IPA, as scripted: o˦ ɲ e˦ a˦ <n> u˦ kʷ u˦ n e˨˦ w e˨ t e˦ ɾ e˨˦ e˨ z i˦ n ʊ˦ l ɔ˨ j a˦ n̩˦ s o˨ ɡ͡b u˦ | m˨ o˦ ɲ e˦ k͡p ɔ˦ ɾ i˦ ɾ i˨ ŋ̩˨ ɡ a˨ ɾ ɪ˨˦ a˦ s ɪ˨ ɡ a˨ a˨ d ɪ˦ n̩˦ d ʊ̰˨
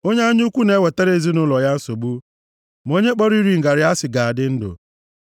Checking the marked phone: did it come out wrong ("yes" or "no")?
yes